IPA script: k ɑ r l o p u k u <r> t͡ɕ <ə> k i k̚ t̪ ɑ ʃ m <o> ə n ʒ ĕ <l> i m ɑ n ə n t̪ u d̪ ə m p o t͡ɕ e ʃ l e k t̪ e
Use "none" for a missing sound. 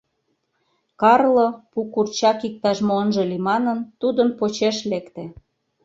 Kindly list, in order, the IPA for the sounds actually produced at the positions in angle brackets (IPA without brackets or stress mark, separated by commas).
r, ɑ, o, l